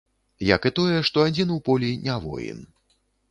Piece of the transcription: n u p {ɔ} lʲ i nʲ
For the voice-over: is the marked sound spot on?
yes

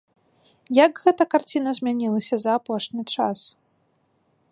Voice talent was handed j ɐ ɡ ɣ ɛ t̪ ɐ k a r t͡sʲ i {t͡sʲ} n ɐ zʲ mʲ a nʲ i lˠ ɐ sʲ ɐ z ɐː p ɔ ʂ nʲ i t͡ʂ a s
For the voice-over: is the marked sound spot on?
no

